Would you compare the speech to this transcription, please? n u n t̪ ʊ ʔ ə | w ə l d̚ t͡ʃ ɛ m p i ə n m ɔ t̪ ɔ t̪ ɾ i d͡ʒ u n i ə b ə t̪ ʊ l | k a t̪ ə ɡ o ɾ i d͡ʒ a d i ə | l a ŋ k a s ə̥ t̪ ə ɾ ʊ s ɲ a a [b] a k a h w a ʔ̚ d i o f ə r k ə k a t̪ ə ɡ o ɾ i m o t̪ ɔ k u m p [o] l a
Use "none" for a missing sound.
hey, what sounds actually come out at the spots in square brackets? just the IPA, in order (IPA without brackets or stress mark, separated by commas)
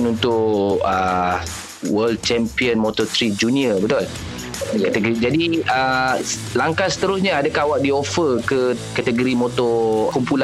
d, u